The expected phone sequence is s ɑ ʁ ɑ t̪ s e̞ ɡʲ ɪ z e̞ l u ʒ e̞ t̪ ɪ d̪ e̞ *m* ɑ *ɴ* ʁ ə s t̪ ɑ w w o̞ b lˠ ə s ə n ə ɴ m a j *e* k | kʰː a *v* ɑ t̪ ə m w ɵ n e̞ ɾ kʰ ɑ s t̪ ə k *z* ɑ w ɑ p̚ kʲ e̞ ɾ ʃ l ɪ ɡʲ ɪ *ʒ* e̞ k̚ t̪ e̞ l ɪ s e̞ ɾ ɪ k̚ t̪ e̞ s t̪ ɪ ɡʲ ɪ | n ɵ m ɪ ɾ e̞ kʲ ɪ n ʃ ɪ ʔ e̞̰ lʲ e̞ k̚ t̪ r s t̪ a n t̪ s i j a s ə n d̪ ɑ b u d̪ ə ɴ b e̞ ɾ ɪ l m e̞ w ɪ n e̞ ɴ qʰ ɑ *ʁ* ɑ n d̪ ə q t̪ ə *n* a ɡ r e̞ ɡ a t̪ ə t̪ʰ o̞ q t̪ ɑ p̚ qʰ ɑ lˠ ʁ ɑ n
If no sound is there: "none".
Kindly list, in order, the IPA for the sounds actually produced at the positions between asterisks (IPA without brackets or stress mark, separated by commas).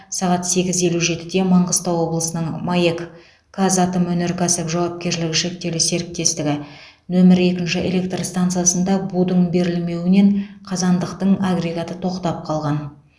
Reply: m, ɴ, e, z, ʒ, ʃ, z, ɴ